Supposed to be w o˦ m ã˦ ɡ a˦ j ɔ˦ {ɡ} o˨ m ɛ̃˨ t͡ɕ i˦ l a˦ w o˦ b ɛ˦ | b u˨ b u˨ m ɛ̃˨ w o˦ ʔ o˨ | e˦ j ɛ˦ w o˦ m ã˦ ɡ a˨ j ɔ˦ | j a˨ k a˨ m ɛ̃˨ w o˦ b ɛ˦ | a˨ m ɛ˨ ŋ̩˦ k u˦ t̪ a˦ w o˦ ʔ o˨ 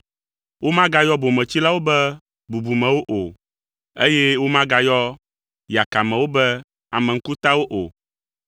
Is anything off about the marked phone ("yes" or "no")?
yes